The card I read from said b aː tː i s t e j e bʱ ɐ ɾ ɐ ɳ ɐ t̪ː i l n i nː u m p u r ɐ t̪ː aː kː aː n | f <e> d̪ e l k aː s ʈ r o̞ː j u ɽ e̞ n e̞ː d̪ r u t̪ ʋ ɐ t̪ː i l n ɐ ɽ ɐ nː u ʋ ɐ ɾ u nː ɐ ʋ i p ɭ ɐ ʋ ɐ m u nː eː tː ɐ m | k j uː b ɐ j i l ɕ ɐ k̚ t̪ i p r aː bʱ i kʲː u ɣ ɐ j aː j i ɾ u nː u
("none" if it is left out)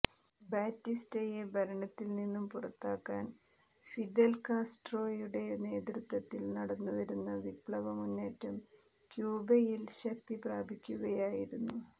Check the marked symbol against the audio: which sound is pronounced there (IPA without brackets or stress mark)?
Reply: i